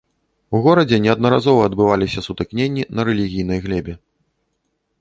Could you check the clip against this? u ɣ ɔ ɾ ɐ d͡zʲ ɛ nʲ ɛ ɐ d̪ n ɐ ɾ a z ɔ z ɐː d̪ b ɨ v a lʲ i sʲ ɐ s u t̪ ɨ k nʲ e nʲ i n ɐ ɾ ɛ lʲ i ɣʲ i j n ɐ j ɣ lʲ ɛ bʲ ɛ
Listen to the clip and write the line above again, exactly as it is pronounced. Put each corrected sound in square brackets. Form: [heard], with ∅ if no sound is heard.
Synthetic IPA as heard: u ɣ ɔ ɾ ɐ d͡zʲ ɛ nʲ ɛ ɐ d̪ n ɐ ɾ a z ɔ [v] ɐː d̪ b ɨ v a lʲ i sʲ ɐ s u t̪ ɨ k nʲ e [nʲː] i n ɐ ɾ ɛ lʲ i ɣʲ i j n ɐ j ɣ lʲ ɛ bʲ ɛ

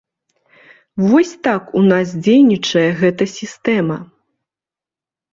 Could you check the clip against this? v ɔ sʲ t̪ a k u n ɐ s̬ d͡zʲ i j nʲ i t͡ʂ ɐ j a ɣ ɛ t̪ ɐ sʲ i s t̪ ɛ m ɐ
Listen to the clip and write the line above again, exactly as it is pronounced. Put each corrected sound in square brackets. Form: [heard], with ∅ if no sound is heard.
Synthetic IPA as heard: v ɔ sʲ t̪ a k u n [a] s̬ d͡zʲ [e] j nʲ i t͡ʂ ɐ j [ɛ] ɣ ɛ t̪ ɐ sʲ i s t̪ ɛ m ɐ

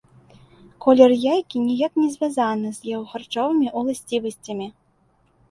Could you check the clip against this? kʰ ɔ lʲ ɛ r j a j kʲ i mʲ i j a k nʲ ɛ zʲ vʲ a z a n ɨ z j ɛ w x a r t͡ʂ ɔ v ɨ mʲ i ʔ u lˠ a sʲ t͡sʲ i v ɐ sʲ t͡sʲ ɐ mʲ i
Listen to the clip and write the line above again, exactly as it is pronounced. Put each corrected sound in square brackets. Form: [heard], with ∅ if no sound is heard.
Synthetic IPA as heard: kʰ ɔ lʲ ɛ r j a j kʲ i [nʲ] i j a k nʲ ɛ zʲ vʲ a z a n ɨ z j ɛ w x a r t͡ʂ ɔ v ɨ mʲ i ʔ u lˠ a sʲ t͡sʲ i v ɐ sʲ t͡sʲ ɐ mʲ i

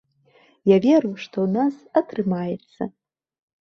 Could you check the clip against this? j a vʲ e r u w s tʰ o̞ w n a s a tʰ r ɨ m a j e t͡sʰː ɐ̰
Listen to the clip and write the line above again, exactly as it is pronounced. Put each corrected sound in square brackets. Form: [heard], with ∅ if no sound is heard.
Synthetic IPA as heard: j a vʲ e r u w [ʂ] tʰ o̞ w n a s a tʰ r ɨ m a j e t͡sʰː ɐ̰

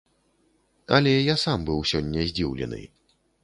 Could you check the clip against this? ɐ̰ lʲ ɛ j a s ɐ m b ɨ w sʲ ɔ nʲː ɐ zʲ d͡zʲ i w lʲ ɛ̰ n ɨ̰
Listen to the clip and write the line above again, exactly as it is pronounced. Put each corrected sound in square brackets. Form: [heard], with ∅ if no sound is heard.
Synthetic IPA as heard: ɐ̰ lʲ ɛ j a s [a] m b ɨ w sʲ ɔ nʲː ɐ zʲ d͡zʲ i w lʲ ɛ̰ n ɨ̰

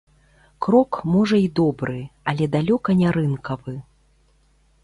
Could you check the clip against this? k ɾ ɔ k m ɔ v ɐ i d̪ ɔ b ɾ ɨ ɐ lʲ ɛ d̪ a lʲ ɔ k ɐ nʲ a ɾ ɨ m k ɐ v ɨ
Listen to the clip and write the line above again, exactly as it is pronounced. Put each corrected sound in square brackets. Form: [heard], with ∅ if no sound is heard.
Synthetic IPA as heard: k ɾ ɔ k m ɔ [ʐ] ɐ i d̪ ɔ b ɾ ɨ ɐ lʲ ɛ d̪ a lʲ ɔ k ɐ nʲ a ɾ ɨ [n] k ɐ v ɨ

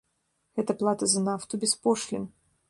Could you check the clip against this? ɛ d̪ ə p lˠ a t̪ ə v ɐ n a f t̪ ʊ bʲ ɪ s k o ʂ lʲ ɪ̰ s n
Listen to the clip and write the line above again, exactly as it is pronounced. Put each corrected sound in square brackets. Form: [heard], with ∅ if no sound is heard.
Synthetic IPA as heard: ɛ [t̪] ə p lˠ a t̪ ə [z] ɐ n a f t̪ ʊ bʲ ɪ s [p] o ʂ lʲ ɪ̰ [∅] n

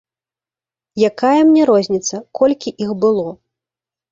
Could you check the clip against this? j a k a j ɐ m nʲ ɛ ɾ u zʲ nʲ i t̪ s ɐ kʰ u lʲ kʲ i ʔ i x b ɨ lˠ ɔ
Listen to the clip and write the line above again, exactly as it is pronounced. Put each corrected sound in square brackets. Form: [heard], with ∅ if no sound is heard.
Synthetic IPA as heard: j a k a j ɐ m nʲ ɛ ɾ [ɔ] zʲ nʲ i t̪ s ɐ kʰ [ɔ] lʲ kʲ i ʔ i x b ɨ lˠ ɔ

